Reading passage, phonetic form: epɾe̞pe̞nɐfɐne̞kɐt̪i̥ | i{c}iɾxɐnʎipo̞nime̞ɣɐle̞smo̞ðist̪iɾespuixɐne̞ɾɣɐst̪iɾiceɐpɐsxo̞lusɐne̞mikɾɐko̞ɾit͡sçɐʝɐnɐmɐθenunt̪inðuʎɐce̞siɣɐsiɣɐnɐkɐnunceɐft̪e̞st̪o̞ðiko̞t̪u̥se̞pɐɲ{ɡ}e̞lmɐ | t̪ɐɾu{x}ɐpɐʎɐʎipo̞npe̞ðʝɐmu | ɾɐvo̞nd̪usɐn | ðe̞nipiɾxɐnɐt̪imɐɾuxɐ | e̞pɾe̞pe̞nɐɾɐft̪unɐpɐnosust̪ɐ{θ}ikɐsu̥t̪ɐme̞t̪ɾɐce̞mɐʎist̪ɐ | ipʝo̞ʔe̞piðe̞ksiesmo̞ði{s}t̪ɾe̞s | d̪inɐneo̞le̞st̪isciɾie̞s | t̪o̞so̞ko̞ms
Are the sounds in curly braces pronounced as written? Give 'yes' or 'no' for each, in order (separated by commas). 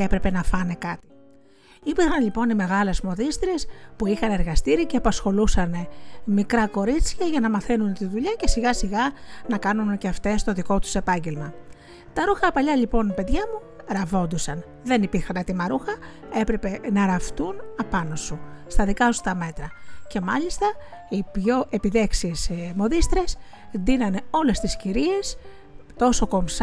no, no, yes, no, yes